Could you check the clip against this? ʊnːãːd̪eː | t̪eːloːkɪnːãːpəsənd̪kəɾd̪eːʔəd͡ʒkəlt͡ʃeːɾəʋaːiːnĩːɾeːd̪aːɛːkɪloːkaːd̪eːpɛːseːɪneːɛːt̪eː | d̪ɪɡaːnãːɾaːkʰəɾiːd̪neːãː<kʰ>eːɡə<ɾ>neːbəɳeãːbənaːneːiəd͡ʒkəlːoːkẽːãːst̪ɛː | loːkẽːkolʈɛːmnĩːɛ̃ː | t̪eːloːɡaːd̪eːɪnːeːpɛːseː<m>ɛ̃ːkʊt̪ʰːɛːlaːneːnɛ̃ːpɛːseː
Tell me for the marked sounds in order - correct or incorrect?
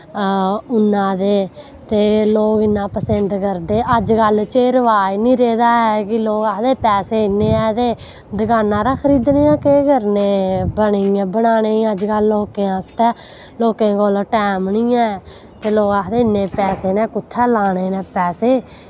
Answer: incorrect, correct, incorrect

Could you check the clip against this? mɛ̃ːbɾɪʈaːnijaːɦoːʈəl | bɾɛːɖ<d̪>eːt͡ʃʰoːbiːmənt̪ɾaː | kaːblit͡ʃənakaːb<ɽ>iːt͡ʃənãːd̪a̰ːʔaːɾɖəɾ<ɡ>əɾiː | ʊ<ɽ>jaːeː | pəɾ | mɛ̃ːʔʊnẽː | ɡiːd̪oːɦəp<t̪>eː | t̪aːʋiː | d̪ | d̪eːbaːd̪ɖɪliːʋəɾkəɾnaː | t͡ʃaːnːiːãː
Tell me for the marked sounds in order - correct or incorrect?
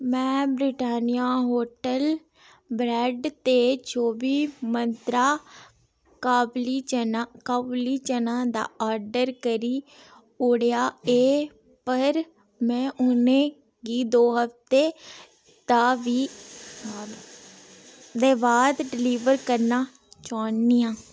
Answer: incorrect, incorrect, incorrect, correct, correct

